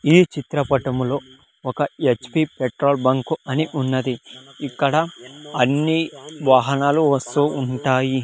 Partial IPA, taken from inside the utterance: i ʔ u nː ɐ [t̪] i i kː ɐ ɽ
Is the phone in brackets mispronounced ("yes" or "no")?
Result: yes